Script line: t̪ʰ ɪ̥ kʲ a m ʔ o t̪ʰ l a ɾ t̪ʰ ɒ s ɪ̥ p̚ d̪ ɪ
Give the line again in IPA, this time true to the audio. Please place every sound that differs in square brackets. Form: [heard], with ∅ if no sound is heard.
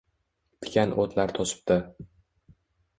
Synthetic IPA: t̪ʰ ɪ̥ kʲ a [n] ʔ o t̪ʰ l a ɾ t̪ʰ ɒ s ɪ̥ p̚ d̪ ɪ